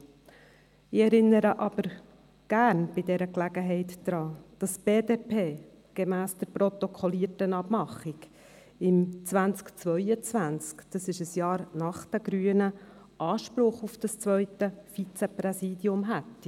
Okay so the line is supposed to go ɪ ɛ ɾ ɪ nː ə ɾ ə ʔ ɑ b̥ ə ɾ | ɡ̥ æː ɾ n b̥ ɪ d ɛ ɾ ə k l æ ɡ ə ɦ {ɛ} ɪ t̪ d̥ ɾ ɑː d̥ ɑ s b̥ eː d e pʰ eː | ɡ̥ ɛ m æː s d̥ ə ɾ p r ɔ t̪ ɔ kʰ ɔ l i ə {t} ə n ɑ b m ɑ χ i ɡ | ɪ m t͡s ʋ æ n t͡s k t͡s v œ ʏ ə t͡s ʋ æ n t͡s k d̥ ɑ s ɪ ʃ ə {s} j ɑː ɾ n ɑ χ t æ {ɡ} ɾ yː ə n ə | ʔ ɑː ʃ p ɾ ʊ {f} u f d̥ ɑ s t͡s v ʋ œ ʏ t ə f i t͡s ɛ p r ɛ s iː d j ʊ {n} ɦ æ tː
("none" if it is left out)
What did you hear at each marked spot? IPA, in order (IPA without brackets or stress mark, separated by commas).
ɛ, t, s, ɡ, χ, m